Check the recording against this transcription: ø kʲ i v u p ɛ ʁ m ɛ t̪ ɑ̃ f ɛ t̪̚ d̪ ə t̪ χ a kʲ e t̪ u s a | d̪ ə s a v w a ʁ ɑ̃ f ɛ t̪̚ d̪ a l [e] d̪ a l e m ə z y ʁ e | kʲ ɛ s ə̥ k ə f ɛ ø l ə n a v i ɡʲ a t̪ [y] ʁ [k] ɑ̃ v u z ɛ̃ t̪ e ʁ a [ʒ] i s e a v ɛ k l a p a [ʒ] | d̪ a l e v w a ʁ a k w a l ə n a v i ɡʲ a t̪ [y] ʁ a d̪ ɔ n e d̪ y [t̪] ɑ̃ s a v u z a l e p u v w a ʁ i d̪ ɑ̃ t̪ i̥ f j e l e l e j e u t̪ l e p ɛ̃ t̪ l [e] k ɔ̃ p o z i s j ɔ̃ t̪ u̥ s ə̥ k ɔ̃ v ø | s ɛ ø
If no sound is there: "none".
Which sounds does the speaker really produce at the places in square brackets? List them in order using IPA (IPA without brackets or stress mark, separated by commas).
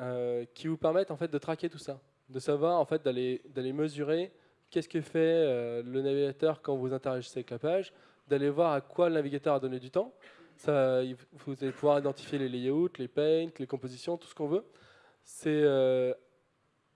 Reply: e, œ, k, ʒ, ʒ, œ, t̪, e